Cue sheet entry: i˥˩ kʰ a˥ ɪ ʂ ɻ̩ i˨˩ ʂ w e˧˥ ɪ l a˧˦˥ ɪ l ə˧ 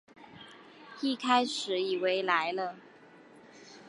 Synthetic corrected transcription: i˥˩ kʰ a˥ ɪ ʂ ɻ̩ i˨˩ w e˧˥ ɪ l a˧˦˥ ɪ l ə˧